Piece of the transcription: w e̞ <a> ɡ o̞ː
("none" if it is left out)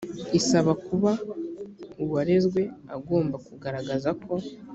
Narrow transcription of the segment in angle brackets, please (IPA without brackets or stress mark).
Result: a